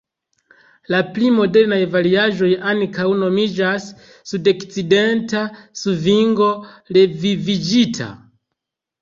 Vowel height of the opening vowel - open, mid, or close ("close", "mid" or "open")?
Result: open